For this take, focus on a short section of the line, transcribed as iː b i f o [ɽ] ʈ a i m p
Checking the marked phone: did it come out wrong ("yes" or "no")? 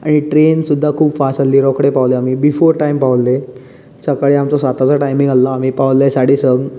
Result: yes